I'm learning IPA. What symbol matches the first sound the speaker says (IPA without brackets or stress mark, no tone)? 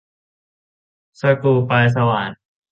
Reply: s